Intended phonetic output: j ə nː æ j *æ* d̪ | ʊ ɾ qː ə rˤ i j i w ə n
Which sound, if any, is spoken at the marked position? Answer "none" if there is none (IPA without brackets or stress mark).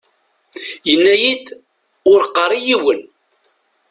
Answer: i